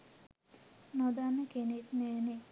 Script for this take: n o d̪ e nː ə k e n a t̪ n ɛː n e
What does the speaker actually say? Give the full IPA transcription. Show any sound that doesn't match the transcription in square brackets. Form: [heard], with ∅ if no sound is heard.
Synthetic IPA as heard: n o d̪ [a] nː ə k e n [e] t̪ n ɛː n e

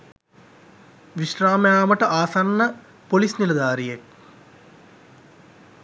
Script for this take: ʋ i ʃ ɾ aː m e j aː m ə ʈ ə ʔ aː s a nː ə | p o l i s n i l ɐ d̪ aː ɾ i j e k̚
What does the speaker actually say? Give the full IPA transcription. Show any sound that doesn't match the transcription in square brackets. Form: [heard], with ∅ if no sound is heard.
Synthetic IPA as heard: ʋ i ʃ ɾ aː m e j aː m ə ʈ ə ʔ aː s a nː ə | p o l i s n i l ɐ d̪ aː ɾ i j e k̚

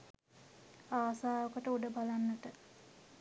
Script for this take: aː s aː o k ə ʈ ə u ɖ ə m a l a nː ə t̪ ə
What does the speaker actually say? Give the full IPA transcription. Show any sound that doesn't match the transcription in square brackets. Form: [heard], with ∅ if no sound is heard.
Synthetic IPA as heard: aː s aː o k ə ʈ ə u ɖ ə [b] a l a nː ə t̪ ə

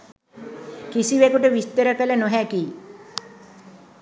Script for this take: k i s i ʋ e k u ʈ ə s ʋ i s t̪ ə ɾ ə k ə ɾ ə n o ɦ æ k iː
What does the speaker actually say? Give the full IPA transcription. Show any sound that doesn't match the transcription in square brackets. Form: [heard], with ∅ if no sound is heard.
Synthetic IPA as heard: k i s i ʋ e k u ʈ ə [∅] ʋ i s t̪ ə ɾ ə k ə [l] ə n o ɦ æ k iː

